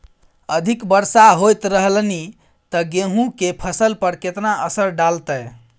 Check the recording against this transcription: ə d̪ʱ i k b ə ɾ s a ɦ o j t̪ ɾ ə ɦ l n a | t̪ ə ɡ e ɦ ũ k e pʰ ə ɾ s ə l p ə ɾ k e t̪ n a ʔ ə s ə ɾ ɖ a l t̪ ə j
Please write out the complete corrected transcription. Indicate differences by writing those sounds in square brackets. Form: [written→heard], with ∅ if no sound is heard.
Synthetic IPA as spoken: ə d̪ʱ i k b ə ɾ s a ɦ o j t̪ ɾ ə ɦ l n [a→i] | t̪ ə ɡ e ɦ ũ k e pʰ ə [ɾ→∅] s ə l p ə ɾ k e t̪ n a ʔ ə s ə ɾ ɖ a l t̪ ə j